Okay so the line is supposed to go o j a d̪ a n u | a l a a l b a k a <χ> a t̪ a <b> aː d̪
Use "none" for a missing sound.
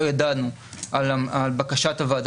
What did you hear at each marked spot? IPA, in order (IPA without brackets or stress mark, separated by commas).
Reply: ʃ, v